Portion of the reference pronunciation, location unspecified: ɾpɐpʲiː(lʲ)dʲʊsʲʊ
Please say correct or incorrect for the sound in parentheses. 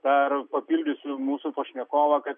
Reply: correct